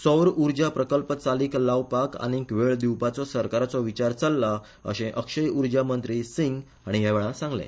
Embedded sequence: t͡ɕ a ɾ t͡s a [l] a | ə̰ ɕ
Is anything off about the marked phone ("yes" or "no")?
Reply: yes